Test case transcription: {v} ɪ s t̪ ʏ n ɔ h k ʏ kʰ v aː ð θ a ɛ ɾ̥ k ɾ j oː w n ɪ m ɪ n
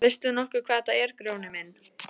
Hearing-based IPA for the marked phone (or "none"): v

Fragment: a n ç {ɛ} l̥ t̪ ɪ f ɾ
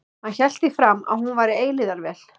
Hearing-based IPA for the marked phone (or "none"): ɛ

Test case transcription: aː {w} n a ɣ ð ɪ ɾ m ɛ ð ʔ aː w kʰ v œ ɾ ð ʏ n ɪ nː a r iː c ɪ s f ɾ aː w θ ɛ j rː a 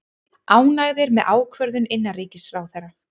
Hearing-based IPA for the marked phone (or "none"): w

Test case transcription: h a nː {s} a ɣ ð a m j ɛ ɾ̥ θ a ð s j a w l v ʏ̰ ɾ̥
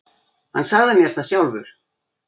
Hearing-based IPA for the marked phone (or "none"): s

